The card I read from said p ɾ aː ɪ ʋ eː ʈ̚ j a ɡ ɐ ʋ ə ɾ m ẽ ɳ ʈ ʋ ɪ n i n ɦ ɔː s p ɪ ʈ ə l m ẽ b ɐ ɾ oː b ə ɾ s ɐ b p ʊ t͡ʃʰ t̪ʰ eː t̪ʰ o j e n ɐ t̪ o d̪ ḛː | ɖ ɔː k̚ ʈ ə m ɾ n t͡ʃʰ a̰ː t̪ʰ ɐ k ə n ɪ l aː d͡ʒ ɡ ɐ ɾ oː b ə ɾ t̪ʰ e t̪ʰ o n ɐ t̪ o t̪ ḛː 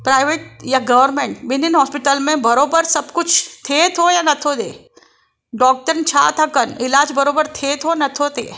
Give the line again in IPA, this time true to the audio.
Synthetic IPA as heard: p ɾ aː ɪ ʋ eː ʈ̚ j a ɡ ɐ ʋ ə ɾ m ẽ ɳ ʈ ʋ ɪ n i n ɦ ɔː s p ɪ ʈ ə l m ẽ b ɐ ɾ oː b ə ɾ s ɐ b k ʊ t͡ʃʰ t̪ʰ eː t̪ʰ o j a n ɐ t̪ʰ o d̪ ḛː | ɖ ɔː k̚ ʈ ə ɾ n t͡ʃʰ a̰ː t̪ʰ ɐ k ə n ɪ l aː d͡ʒ b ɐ ɾ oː b ə ɾ t̪ʰ e t̪ʰ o n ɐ t̪ʰ o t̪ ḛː